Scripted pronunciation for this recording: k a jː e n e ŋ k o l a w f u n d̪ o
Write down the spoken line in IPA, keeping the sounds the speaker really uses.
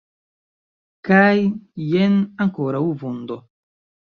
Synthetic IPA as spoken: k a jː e n a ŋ k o ɾ a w v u n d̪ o